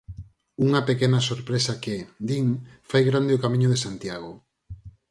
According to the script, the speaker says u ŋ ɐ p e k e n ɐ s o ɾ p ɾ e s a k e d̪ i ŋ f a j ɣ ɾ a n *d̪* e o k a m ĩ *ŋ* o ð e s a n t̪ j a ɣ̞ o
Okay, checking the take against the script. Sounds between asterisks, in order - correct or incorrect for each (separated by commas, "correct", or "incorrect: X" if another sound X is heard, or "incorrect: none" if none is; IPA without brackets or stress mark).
correct, incorrect: ɲ